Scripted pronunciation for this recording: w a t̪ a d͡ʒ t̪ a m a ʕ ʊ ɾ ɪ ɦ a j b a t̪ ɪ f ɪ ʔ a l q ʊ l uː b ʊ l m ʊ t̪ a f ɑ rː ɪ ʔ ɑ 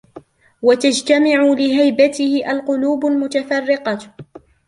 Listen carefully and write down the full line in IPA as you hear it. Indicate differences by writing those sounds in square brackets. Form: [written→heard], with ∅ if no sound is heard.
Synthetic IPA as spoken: w a t̪ a d͡ʒ t̪ a m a ʕ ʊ [ɾ→l] ɪ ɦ a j b a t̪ ɪ [f→h] ɪ ʔ a l q ʊ l uː b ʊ l m ʊ t̪ a f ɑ rː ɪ [ʔ→q] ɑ